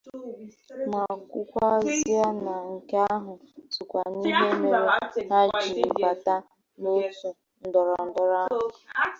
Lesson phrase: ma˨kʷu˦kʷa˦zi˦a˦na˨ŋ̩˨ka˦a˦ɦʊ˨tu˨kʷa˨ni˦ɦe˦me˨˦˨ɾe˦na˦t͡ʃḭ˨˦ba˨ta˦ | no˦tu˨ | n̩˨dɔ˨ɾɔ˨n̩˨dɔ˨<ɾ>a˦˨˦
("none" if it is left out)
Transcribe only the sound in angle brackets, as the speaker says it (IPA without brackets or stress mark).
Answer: ɾ